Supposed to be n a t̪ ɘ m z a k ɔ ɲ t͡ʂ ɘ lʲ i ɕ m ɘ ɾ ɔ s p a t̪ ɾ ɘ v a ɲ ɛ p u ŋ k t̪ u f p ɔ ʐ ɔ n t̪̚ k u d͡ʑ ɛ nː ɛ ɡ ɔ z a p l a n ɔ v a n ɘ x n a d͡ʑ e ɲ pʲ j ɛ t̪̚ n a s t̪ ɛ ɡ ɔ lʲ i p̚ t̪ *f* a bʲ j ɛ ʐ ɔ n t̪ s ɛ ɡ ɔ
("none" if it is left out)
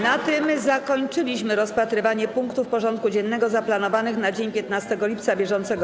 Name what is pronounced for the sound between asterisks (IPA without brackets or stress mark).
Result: s